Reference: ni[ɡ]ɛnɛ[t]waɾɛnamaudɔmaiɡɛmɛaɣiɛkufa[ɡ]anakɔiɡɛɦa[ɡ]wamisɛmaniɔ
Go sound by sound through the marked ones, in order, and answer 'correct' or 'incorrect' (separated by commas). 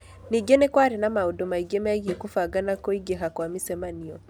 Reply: correct, incorrect, correct, incorrect